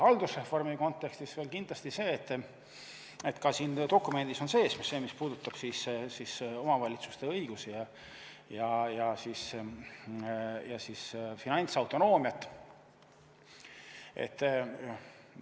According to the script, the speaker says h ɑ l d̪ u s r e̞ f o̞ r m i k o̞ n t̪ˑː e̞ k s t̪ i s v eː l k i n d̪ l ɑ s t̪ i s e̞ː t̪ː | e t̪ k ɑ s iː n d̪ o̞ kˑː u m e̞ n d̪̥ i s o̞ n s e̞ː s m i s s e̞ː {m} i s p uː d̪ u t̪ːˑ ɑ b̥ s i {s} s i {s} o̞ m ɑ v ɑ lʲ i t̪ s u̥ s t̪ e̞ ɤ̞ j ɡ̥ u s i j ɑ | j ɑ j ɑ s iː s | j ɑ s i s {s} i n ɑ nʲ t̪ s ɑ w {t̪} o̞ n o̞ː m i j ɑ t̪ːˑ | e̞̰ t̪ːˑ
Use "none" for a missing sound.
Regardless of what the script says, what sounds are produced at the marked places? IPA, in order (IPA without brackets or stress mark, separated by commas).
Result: m, s, s, f, t̪